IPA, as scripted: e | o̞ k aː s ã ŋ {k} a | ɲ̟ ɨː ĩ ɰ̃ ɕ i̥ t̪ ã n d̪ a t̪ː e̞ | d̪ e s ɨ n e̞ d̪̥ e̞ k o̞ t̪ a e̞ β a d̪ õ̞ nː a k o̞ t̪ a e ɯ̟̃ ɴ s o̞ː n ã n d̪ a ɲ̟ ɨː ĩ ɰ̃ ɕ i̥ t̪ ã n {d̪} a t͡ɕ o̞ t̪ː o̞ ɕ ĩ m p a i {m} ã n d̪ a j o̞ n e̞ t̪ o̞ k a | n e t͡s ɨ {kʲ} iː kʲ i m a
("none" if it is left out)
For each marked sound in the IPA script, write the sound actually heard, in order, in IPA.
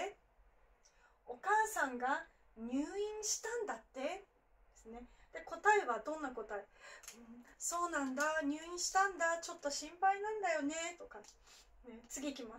ɡ, d̪, n, ɡʲ

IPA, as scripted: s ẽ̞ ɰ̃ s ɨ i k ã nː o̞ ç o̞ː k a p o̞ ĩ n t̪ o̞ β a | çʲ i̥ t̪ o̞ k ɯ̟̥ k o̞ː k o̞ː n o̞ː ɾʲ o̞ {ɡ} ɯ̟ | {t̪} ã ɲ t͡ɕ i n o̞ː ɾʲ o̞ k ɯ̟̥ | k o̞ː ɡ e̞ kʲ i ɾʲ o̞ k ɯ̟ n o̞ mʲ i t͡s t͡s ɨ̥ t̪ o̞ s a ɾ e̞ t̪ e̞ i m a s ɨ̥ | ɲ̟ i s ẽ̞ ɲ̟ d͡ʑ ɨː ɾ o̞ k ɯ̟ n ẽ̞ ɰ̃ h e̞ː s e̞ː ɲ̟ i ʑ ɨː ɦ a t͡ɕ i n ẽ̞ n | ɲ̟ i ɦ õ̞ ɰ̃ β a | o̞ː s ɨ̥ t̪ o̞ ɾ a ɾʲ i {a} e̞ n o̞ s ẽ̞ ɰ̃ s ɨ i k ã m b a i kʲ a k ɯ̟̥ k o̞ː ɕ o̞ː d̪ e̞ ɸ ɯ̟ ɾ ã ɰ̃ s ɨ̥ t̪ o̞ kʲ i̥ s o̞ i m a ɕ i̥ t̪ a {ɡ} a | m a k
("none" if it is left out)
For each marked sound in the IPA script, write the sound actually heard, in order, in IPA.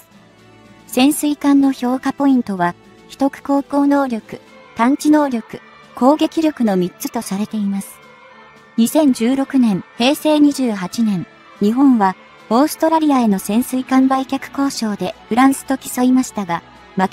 k, t̪, a, ɡ

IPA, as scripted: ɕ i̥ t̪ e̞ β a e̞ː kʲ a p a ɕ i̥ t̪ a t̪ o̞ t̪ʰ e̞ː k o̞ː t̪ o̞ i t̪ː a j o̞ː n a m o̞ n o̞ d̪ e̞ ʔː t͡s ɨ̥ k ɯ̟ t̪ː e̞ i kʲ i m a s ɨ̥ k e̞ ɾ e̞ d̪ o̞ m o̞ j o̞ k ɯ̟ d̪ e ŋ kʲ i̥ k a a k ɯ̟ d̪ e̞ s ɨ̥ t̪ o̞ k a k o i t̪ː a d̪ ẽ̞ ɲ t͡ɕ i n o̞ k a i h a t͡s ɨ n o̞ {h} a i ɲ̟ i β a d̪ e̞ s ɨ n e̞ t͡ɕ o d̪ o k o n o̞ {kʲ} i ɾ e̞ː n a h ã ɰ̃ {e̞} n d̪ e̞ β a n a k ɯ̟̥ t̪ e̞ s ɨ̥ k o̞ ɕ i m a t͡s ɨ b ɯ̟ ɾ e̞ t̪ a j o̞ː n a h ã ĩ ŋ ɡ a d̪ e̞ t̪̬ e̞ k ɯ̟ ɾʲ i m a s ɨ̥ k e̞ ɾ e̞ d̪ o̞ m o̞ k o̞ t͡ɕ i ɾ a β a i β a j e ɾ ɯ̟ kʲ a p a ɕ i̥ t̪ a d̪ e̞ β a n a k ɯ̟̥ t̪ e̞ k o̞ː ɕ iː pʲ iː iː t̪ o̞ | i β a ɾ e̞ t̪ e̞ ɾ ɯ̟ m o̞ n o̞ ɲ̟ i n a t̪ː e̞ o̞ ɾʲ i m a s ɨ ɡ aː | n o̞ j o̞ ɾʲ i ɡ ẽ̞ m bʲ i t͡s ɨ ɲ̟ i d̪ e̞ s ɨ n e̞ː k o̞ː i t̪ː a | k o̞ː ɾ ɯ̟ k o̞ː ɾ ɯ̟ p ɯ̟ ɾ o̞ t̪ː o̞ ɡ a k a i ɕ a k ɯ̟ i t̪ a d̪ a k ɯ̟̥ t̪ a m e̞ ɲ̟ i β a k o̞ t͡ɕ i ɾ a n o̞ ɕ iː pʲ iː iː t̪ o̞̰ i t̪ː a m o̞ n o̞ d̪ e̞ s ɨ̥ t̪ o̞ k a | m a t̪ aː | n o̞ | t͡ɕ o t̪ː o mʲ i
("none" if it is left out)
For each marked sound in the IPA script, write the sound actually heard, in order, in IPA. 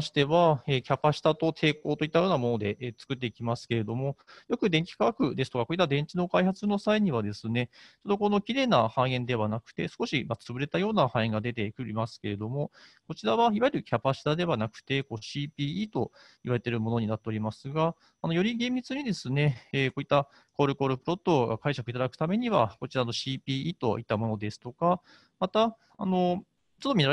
s, kʲ, ẽ̞

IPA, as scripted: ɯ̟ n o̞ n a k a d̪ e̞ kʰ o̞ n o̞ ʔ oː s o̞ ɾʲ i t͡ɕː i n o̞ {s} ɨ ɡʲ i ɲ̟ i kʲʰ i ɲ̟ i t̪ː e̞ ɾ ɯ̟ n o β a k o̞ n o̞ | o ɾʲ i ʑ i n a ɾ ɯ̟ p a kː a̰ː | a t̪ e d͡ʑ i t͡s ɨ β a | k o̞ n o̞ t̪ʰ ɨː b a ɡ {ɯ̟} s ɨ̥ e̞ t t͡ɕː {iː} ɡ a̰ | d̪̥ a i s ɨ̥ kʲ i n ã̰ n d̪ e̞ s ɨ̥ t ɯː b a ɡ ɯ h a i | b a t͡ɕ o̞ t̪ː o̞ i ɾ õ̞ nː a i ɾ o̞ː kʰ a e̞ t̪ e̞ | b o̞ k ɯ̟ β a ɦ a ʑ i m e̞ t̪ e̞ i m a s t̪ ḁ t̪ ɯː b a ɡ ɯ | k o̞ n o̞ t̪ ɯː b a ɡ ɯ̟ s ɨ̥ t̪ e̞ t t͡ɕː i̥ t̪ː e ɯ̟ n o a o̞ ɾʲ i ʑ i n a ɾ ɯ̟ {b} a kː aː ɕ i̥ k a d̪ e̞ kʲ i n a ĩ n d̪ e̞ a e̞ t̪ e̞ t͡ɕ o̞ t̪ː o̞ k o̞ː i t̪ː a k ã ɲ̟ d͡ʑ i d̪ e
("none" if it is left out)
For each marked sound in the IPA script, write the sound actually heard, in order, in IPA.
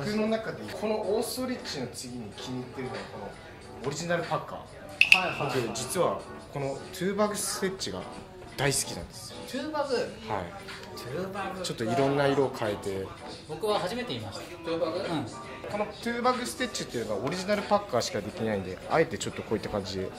t͡s, ɯ̟, i, p

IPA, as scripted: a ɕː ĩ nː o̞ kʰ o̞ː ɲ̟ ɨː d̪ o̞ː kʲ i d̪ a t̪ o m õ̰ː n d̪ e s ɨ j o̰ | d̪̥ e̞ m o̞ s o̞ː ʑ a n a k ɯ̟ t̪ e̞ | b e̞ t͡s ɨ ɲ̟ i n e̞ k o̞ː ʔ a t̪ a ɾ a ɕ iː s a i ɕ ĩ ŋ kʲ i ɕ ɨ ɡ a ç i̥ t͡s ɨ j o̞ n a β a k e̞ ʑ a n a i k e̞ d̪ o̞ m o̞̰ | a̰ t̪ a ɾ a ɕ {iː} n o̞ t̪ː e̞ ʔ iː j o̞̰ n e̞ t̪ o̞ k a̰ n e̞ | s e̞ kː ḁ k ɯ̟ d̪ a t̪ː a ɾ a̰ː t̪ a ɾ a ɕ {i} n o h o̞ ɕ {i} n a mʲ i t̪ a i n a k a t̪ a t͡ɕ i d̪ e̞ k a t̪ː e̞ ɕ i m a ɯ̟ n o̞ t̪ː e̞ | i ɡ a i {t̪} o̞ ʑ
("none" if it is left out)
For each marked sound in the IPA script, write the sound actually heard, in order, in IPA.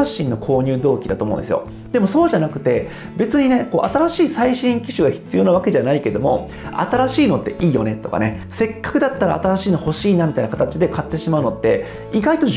iː, iː, iː, t̪

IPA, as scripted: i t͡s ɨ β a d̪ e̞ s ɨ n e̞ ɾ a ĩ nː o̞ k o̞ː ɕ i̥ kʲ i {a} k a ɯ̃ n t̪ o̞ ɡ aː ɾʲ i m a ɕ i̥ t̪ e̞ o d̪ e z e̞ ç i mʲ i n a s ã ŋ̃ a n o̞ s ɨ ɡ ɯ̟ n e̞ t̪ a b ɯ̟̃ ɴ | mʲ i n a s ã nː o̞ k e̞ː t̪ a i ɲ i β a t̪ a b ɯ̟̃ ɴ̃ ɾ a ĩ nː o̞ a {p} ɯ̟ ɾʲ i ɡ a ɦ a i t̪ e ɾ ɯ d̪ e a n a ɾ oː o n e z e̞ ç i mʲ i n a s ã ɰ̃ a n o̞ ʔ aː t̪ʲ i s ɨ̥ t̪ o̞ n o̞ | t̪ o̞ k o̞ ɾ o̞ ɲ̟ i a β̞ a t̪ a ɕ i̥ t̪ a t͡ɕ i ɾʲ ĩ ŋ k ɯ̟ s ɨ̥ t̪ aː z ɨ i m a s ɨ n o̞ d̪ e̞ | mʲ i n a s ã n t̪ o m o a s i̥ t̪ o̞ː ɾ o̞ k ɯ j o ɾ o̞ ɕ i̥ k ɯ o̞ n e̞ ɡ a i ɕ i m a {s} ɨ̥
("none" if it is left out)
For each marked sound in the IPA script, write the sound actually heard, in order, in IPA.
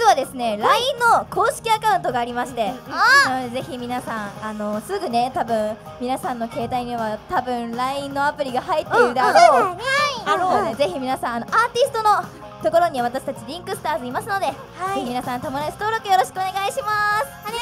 a, p, s

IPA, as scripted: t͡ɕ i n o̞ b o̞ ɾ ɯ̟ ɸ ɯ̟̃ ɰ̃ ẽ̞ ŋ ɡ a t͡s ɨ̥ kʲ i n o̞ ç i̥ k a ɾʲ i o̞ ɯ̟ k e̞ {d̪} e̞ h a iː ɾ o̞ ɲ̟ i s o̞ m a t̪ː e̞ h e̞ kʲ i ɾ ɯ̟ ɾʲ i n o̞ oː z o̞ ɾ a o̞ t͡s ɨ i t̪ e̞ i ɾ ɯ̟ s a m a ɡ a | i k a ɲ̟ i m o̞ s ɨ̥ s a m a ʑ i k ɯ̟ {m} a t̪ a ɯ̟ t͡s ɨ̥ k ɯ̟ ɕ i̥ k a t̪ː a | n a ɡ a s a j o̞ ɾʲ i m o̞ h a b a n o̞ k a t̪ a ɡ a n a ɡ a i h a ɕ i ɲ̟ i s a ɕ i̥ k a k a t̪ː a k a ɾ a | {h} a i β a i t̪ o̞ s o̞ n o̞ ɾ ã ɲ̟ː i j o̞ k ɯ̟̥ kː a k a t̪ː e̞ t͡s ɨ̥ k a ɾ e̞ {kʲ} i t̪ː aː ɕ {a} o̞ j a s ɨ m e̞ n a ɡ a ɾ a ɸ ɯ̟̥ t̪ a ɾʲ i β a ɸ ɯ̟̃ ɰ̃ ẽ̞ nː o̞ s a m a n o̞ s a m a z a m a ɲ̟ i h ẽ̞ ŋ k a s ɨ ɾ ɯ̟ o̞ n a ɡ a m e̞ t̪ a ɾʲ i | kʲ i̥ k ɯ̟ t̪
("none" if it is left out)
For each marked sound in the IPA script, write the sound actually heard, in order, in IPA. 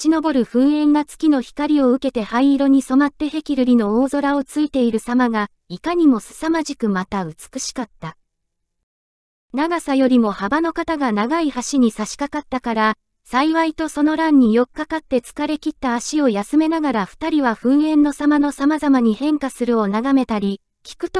t̪, m, s, kʲ, i

